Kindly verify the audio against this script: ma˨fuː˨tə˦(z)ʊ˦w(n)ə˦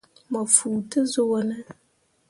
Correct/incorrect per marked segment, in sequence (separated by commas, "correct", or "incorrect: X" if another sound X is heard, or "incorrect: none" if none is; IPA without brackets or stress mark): correct, correct